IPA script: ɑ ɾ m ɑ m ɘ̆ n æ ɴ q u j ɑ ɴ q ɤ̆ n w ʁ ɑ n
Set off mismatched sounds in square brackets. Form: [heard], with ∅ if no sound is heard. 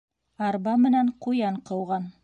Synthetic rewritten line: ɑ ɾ [b] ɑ m ɘ̆ n æ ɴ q u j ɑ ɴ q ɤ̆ [∅] w ʁ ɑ n